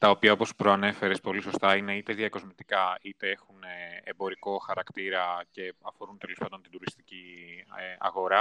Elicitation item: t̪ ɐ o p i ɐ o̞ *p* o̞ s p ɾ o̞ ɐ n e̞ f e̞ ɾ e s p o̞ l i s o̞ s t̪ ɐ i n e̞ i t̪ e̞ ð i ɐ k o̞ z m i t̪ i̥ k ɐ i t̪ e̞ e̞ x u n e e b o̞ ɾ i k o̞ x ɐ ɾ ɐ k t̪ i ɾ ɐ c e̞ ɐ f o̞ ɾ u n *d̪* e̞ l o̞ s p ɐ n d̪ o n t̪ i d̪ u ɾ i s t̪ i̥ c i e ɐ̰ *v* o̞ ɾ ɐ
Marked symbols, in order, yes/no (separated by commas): yes, no, no